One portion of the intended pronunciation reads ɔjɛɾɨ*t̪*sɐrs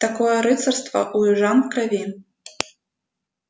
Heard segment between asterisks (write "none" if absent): t̪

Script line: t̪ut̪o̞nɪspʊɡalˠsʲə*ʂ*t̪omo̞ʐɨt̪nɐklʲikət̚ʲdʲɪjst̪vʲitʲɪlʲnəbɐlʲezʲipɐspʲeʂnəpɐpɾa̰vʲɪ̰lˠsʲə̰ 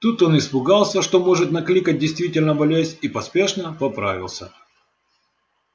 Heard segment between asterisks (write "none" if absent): ʂ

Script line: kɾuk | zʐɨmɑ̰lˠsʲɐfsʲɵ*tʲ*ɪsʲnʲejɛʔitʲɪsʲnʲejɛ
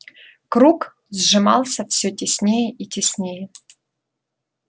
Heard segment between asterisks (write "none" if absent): tʲ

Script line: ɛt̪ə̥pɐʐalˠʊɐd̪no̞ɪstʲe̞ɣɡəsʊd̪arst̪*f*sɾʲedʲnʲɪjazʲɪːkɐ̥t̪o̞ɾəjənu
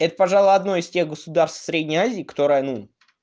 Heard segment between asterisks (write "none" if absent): f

